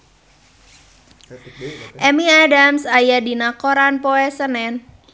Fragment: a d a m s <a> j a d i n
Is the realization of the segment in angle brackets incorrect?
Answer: no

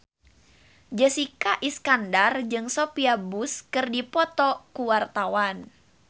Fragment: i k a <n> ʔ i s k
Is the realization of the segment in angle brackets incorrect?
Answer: yes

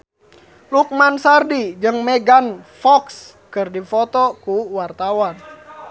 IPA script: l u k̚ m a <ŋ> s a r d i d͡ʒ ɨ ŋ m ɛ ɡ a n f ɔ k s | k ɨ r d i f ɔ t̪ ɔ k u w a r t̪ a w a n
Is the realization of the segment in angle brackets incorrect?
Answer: yes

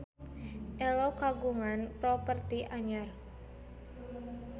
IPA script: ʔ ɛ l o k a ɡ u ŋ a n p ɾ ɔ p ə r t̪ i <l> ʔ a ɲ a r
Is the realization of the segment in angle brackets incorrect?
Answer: yes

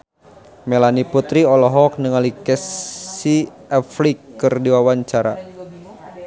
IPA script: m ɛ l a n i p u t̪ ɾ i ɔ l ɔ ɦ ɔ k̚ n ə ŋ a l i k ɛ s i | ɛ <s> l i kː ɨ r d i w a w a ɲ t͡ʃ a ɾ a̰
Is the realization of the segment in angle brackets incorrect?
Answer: yes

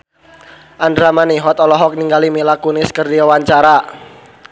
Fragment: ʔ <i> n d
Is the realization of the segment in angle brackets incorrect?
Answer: yes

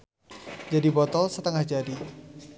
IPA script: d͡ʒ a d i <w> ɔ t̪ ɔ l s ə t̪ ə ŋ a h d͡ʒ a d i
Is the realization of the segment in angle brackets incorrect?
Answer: yes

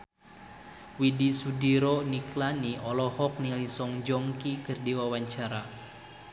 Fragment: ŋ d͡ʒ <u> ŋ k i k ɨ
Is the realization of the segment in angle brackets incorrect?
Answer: yes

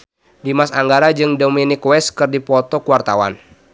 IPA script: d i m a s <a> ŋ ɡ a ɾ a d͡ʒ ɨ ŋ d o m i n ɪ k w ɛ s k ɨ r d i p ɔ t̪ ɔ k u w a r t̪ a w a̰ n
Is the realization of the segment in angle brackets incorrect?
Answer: no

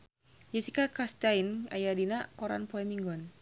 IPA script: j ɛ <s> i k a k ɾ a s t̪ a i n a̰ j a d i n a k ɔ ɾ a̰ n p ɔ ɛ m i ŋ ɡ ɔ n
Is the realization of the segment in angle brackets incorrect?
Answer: no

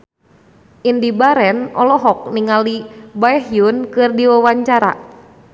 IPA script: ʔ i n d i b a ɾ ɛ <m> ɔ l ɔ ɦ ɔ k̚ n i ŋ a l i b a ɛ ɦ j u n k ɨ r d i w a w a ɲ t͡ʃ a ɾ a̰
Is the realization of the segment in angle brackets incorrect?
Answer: yes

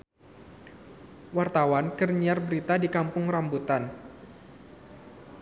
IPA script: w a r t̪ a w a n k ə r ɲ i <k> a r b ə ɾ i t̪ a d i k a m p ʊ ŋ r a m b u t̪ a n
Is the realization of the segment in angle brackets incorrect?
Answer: yes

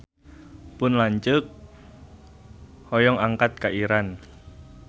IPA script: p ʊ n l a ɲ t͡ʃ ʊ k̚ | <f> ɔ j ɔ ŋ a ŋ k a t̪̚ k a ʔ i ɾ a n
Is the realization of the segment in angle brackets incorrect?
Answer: yes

